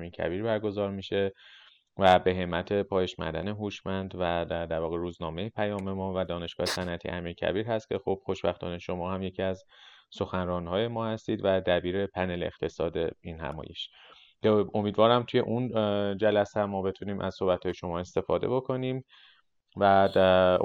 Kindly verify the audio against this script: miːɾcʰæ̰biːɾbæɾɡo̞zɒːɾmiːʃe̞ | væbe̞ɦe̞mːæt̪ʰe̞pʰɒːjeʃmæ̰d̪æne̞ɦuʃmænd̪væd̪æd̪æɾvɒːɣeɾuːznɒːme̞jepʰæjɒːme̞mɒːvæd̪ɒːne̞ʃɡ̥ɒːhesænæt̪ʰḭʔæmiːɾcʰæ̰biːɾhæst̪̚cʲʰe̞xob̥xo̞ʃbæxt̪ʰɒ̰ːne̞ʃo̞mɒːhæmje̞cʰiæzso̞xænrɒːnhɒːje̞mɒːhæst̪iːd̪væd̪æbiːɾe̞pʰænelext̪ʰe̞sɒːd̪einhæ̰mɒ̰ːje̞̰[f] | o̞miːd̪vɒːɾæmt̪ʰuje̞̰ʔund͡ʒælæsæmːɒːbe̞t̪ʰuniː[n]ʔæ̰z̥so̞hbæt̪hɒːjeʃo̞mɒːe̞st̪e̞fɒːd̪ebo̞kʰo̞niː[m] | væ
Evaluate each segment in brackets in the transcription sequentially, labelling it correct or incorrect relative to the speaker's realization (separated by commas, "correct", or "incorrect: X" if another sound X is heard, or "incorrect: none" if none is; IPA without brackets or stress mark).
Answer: incorrect: ʃ, incorrect: m, correct